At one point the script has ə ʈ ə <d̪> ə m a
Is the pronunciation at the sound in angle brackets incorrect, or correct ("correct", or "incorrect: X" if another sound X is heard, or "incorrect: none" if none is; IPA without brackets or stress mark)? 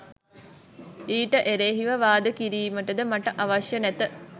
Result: correct